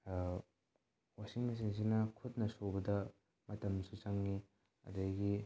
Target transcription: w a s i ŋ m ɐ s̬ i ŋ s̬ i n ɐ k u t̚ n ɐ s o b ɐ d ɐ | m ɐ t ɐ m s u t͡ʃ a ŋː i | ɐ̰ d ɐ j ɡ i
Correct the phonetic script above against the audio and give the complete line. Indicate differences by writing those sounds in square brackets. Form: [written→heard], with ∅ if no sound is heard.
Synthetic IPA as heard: w a s i ŋ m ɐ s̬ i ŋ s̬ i n ɐ [k→kʰ] u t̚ n ɐ s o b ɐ d ɐ | m ɐ t ɐ m s u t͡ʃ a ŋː i | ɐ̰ d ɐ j ɡ i